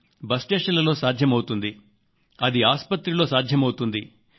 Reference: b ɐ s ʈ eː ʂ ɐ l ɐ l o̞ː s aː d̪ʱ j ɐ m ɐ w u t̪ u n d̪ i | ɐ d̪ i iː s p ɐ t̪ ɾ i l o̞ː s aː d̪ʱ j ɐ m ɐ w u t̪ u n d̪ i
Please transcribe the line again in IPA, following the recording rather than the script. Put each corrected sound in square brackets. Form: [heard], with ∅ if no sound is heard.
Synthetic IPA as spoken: b ɐ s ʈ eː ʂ ɐ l ɐ l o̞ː s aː d̪ʱ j ɐ m ɐ w u t̪ u n d̪ i | ɐ d̪ i [aː] s p ɐ t̪ ɾ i l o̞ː s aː d̪ʱ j ɐ m ɐ w u t̪ u n d̪ i